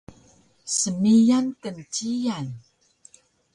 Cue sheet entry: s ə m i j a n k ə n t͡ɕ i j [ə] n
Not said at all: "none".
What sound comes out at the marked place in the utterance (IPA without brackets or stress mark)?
a